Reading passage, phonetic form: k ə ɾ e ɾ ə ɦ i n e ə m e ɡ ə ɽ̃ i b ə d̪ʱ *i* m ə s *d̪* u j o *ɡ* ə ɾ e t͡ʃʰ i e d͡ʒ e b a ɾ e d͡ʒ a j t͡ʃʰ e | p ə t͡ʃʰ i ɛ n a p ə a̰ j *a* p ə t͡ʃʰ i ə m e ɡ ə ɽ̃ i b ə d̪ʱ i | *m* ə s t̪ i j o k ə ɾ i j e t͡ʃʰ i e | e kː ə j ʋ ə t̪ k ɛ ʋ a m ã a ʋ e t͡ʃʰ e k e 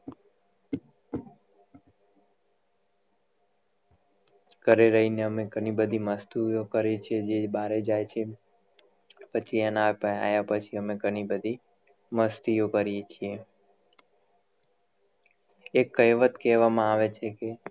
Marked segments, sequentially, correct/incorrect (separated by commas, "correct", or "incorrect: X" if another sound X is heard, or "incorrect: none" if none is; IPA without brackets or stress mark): correct, incorrect: t̪, incorrect: k, correct, correct